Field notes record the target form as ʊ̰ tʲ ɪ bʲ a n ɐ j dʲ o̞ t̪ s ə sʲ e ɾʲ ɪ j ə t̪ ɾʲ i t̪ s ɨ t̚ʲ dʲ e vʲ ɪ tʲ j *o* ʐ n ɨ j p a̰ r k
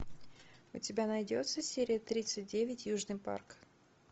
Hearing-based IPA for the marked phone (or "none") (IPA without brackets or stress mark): u